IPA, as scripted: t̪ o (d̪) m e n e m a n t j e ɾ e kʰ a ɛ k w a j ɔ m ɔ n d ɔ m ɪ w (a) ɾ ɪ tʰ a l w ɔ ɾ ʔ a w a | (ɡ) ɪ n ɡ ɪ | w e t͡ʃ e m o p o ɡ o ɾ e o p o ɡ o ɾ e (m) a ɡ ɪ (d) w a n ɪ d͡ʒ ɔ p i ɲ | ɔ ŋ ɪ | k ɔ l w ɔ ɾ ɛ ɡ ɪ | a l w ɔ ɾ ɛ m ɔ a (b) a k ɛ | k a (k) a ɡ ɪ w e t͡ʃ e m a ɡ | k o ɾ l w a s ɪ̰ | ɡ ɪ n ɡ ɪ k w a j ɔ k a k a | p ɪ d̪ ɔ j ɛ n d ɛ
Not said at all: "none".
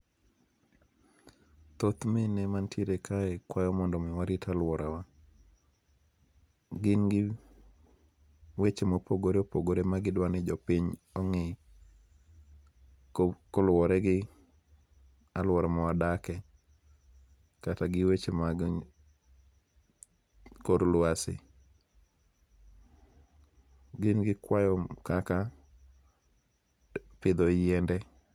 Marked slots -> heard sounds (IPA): t̪, a, ɡ, m, d, d, t

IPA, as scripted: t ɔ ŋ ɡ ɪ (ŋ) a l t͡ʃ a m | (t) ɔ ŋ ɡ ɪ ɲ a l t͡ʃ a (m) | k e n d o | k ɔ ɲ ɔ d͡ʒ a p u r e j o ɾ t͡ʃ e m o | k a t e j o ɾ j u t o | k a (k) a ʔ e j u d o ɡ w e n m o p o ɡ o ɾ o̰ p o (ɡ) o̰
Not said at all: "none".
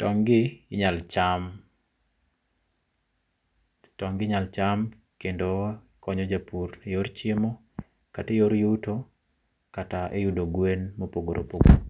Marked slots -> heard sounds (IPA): ɲ, t, m, t, ɡ

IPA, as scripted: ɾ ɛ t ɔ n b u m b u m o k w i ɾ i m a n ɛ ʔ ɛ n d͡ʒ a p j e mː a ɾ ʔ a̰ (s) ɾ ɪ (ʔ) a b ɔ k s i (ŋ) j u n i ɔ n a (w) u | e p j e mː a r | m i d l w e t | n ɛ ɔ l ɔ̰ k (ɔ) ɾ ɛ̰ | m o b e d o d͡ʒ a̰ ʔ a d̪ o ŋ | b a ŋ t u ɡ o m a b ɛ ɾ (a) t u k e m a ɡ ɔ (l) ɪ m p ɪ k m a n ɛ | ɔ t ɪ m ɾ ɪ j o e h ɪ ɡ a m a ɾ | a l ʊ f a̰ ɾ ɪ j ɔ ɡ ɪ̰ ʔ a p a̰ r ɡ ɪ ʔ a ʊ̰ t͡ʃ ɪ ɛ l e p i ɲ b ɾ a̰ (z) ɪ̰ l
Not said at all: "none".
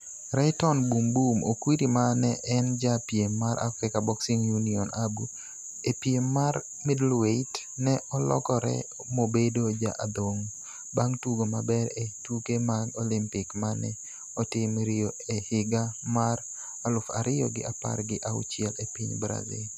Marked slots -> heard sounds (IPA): f, k, ŋ, b, ɔ, e, l, z

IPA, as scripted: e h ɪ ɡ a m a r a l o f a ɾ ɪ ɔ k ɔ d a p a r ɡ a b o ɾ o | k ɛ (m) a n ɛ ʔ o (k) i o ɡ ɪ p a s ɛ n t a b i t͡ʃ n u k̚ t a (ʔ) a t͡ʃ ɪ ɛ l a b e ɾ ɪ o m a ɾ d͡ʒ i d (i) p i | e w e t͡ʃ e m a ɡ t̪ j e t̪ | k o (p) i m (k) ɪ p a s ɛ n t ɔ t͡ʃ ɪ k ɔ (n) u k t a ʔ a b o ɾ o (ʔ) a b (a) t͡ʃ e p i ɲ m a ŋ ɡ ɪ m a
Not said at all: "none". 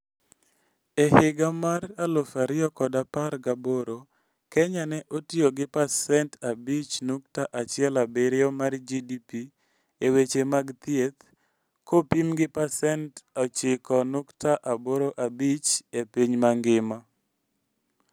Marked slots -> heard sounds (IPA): ɲ, t, ʔ, i, p, ɡ, n, ʔ, i

